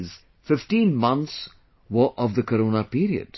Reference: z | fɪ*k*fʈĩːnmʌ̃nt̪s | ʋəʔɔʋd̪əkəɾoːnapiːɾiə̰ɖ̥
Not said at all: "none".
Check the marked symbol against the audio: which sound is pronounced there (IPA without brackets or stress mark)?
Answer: none